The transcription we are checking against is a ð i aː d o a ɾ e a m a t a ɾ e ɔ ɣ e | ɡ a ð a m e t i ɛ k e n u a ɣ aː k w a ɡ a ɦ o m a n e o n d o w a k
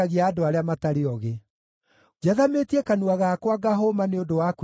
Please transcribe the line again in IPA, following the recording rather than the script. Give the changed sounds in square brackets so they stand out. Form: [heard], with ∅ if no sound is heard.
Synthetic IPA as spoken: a [ɣ] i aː d o a ɾ e a m a t a ɾ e ɔ ɣ e | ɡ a ð a m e t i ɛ k [a] n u a ɣ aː k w a ɡ a ɦ o m a n e o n d o w a k

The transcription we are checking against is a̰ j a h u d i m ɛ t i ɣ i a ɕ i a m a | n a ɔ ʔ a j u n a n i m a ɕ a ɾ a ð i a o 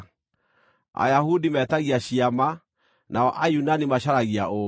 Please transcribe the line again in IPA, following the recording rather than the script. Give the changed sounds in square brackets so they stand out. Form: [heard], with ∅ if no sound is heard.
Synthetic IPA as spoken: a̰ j a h u d i m ɛ t [a] ɣ i a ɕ i a m a | n a ɔ ʔ a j u n a n i m a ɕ a ɾ a [ɣ] i a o

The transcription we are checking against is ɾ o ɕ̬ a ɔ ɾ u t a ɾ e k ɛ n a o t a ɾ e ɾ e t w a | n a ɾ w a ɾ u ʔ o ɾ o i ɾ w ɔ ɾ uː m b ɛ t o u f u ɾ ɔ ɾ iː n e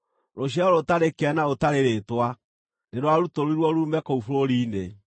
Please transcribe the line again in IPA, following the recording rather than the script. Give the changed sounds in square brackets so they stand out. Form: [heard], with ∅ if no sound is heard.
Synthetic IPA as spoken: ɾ o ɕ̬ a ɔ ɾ [o] t a ɾ e k ɛ n a o t a ɾ e ɾ e t w a | n [e] ɾ w a ɾ u [t] o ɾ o i ɾ w ɔ ɾ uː m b ɛ [k] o u f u ɾ [o] ɾ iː n e

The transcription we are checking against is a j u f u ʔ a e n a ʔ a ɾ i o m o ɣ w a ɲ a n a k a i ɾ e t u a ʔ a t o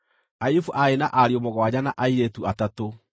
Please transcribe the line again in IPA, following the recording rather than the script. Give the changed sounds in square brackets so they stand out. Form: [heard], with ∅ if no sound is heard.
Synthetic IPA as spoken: a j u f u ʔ a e n a ʔ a ɾ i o m o ɣ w a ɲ a n a [ʔ] a i ɾ e t u a [t] a t o

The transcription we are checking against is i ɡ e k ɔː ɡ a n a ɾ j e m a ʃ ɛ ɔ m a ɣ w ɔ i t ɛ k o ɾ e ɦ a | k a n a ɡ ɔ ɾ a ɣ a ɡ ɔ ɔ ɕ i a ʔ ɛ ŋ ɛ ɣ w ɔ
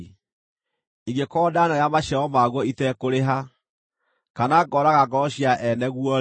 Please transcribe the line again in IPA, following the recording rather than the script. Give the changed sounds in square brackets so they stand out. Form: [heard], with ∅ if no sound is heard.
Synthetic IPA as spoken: i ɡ e k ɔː [d] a n a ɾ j [a] m a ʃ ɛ ɔ m a ɣ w ɔ i t ɛ k o ɾ e ɦ a | k a n a ɡ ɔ ɾ a ɣ a ɡ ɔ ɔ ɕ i a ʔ ɛ [n] ɛ ɣ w ɔ

